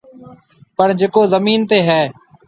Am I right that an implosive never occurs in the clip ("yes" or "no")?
yes